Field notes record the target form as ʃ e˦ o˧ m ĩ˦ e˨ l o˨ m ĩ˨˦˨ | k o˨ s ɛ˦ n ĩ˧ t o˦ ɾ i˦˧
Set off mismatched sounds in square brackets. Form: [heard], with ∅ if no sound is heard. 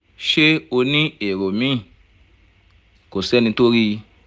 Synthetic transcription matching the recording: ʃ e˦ o˧ [n] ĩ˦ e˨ [ɾ] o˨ m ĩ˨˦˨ | k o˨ s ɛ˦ n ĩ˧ t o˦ ɾ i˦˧